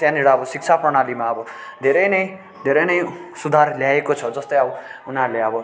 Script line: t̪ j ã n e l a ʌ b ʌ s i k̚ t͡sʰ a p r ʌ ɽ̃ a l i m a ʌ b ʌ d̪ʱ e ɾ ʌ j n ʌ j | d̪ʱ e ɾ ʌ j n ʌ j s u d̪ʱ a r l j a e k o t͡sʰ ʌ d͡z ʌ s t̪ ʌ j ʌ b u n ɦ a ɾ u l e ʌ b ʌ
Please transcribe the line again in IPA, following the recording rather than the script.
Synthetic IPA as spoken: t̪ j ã n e ɽ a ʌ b ʌ s i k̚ t͡sʰ a p r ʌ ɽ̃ a l i m a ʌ b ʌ d̪ʱ e ɾ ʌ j n ʌ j | d̪ʱ e ɾ ʌ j n ʌ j s u d̪ʱ a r l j a e k o t͡sʰ ʌ d͡z ʌ s t̪ ʌ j ʌ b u n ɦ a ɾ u l e ʌ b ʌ